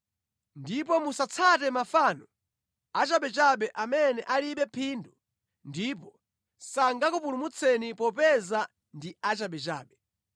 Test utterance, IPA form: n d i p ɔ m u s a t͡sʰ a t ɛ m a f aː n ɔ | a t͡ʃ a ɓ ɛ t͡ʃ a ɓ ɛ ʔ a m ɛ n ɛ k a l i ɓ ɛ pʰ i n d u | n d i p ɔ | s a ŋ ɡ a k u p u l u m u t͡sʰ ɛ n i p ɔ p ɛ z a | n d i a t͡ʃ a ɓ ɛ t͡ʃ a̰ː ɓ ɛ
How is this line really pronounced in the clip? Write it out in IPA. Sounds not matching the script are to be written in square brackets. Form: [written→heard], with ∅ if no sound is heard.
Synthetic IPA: n d i p ɔ m u s a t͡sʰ a t ɛ m a f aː n ɔ | a t͡ʃ a ɓ ɛ t͡ʃ a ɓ ɛ ʔ a m ɛ n ɛ [k→ʔ] a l i ɓ ɛ pʰ i n d u | n d i p ɔ | s a ŋ ɡ a k u p u l u m u t͡sʰ ɛ n i p ɔ p ɛ z a | n d i a t͡ʃ a ɓ ɛ t͡ʃ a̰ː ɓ ɛ